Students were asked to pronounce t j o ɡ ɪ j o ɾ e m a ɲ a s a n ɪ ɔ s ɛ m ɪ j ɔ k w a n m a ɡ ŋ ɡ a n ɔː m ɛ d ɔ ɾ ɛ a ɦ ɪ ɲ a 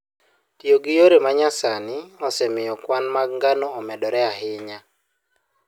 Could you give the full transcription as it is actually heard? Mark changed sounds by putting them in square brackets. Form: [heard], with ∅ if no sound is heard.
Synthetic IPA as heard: t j o ɡ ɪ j o ɾ e m a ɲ a s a n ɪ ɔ s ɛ m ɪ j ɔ k w a n m a ɡ ŋ ɡ a n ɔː m ɛ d ɔ ɾ ɛ a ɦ ɪ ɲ a